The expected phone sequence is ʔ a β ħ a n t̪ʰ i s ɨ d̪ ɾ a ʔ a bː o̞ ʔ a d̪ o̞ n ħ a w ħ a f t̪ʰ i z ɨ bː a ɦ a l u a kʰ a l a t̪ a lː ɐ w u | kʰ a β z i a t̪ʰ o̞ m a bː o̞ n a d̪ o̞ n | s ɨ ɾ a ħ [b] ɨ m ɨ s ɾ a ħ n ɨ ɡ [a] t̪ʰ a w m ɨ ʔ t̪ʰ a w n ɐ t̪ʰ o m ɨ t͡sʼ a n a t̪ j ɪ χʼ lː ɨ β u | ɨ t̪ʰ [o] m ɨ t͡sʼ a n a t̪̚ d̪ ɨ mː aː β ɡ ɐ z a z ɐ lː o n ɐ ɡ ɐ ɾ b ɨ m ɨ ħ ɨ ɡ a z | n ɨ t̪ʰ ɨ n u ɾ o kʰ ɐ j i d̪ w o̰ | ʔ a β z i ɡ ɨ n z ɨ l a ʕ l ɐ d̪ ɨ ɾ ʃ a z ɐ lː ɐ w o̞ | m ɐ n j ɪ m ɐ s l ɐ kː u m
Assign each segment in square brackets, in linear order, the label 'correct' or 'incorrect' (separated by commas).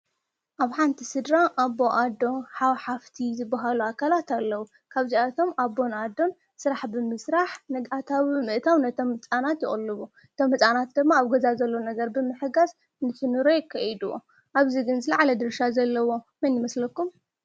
correct, correct, correct